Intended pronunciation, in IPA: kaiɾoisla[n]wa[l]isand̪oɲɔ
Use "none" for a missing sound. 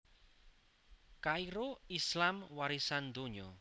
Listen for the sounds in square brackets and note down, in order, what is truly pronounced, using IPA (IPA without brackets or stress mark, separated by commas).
m, ɾ